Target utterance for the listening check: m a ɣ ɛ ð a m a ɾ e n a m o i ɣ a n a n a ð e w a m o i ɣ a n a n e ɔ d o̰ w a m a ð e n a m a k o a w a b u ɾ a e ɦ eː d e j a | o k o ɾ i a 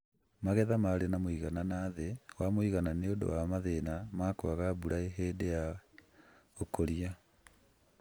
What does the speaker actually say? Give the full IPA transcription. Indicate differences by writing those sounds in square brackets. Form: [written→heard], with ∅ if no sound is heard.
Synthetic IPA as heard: m a ɣ ɛ ð a m a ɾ e n a m o i ɣ a n a n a ð e w a m o i ɣ a n a n e [ɔ→o] d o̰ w a m a ð e n a m a k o a [w→ɣ] a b u ɾ a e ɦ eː d e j a | o k o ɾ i a

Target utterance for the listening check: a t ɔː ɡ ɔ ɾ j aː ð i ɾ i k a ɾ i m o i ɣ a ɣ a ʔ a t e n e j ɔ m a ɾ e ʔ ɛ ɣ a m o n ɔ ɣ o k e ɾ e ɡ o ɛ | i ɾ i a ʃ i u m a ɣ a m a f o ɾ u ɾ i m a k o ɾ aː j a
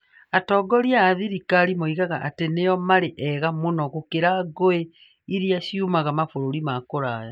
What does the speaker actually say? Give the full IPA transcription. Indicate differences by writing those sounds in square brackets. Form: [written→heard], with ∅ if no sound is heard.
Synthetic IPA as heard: a t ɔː ɡ ɔ ɾ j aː ð i ɾ i k a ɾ i m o i ɣ a ɣ a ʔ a t e n e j ɔ m a ɾ e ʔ ɛ ɣ a m o n ɔ ɣ o k e ɾ [e→a] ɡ o [ɛ→e] | i ɾ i a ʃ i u m a ɣ a m a f o ɾ [u→o] ɾ i m a k o ɾ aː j a

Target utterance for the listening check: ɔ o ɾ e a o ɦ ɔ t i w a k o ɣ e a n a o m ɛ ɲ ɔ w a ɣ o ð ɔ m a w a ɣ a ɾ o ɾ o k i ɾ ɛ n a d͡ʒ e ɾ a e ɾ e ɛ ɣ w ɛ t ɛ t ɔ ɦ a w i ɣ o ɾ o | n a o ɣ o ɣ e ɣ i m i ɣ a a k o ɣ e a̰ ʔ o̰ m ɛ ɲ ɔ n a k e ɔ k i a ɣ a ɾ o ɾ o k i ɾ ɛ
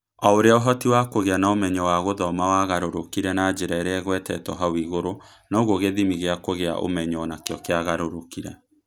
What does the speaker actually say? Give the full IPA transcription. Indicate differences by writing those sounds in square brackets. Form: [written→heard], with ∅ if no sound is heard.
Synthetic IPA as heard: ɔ o ɾ e a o ɦ ɔ t i w a k o ɣ e a n a o m ɛ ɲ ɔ w a ɣ o ð ɔ m a w a ɣ a ɾ o ɾ o k i ɾ ɛ n a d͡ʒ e ɾ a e ɾ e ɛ ɣ w ɛ t ɛ t ɔ ɦ a w i ɣ o ɾ o | n a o ɣ o ɣ e [ɣ→ð] i m i ɣ [a→e] a k o ɣ e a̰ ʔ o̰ m ɛ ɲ ɔ n a k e ɔ k [i→e] a ɣ a ɾ o ɾ o k i ɾ ɛ

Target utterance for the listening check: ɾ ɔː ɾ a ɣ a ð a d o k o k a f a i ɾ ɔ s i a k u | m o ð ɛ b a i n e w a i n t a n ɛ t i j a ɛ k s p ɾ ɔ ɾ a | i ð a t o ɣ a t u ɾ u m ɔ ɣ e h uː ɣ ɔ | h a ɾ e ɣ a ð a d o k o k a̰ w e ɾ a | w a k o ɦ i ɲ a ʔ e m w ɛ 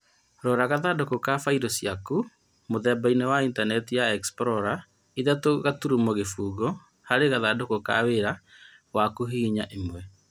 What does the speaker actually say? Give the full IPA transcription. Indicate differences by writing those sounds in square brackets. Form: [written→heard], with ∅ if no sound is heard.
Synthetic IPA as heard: ɾ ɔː ɾ a ɣ a ð a d o k o k a f a i ɾ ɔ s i a k u | m o ð ɛ b a i n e w a i n t a n ɛ t i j a ɛ k s p ɾ ɔ ɾ a | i ð a t o ɣ a t u ɾ u m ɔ ɣ e [h→f] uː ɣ ɔ | h a ɾ e ɣ a ð a d o k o k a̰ w e ɾ a | w a k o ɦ i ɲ a ʔ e m w ɛ

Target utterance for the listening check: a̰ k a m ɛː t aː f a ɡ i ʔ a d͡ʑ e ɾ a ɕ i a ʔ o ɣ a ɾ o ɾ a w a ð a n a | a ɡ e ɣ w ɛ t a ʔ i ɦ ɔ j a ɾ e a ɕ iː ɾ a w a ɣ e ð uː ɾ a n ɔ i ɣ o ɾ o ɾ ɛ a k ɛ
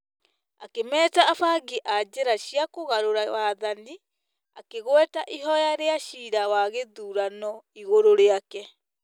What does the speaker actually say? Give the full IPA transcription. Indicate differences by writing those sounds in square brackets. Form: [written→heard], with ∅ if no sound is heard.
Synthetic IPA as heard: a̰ k [a→e] m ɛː t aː f a ɡ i ʔ a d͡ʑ e ɾ a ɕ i a [ʔ→k] o ɣ a ɾ o ɾ a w a ð a n [a→i] | a [ɡ→k] e ɣ w ɛ t a ʔ i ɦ ɔ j a ɾ e a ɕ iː ɾ a w a ɣ e ð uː ɾ a n ɔ i ɣ o ɾ o ɾ [ɛ→e] a k ɛ

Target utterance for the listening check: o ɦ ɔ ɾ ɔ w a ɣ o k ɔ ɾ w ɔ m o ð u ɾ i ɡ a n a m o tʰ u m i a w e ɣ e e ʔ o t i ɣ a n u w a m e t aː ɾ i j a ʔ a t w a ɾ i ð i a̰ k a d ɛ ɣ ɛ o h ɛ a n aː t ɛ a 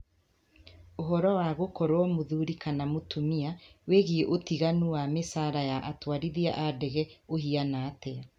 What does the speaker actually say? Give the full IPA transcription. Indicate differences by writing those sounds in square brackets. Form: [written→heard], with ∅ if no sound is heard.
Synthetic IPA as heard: o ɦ ɔ ɾ ɔ w a ɣ o k ɔ ɾ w ɔ m o ð u ɾ i [ɡ→k] a n a m o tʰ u m i a w e ɣ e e ʔ o t i ɣ a n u w a m e [t→s] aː ɾ [i→a] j a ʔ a t w a ɾ i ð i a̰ [k→ʔ] a d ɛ ɣ ɛ o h [ɛ→i] a n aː t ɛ a

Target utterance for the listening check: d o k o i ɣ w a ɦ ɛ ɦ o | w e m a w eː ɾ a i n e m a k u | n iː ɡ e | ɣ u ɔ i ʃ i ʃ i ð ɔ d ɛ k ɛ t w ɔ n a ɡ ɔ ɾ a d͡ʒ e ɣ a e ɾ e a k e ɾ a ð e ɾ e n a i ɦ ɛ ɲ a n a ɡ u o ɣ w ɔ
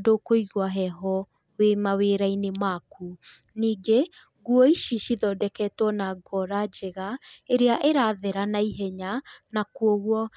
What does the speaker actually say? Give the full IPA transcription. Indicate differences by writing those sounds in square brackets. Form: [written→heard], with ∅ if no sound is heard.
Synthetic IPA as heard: d o k o i ɣ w a ɦ ɛ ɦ [o→ɔ] | w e m a w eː ɾ a i n e m a k u | n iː ɡ e | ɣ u ɔ i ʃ i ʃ i ð ɔ d ɛ k ɛ t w ɔ n a ɡ ɔ ɾ a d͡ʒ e ɣ a e ɾ e a [k→ʔ] e ɾ a ð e ɾ [e→a] n a i ɦ ɛ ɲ a n a [ɡ→k] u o ɣ w ɔ

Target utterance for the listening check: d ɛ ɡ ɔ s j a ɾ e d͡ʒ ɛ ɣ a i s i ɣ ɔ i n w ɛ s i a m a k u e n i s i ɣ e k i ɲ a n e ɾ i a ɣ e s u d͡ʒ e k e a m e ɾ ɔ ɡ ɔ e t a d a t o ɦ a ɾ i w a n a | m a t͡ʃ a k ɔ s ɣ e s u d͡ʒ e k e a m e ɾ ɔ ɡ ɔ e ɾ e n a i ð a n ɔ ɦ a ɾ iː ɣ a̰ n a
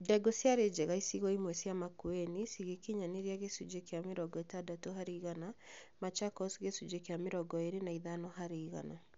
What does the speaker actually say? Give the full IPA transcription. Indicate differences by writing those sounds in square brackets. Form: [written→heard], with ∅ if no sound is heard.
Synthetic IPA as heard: d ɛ ɡ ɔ s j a ɾ e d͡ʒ ɛ ɣ a i s i ɣ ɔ i [n→m] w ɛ s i a m a k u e n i s i ɣ e k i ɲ a n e ɾ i a ɣ e s u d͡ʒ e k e a m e ɾ ɔ ɡ ɔ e t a d a t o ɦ a ɾ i [w→ɣ] a n a | m a t͡ʃ a k ɔ s ɣ e s u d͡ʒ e k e a m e ɾ ɔ ɡ ɔ e ɾ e n a i ð a n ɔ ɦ a ɾ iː ɣ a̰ n a

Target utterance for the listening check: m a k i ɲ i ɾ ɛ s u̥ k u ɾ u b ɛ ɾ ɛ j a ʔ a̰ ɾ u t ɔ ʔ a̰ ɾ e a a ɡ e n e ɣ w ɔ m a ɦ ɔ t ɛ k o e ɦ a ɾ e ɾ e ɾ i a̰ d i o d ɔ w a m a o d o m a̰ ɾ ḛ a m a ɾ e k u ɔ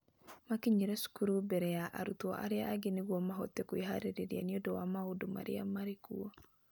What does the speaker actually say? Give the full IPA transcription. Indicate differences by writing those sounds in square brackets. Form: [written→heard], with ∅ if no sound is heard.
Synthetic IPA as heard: m a k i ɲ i ɾ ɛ s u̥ k u ɾ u b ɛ ɾ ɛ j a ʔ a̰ ɾ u t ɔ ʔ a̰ ɾ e a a ɡ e n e ɣ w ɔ m a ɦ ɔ t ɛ k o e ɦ a ɾ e ɾ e ɾ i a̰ [d→n] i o d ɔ w a m a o d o m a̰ ɾ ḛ a m a ɾ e k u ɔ

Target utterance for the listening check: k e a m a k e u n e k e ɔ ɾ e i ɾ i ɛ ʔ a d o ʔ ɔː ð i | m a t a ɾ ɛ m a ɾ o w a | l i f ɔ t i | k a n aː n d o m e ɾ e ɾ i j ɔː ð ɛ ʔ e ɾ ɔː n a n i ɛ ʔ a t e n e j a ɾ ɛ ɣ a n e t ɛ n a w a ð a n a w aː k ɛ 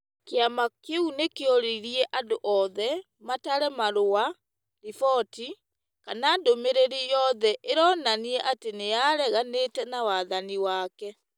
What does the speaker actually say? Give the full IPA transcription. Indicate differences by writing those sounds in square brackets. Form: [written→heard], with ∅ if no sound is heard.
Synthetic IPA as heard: k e a m a k e u n e k e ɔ ɾ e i ɾ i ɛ ʔ a d o ʔ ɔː ð [i→ɛ] | m a t a ɾ ɛ m a ɾ o w a | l i f ɔ t i | k a n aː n d o m e ɾ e ɾ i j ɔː ð ɛ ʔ e ɾ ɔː n a n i ɛ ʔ a t e n e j a ɾ ɛ ɣ a n e t ɛ n a w a ð a n [a→i] w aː k ɛ

